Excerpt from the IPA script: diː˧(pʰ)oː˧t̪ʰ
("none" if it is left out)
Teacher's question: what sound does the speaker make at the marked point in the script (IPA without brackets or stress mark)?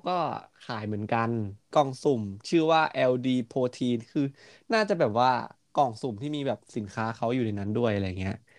pʰ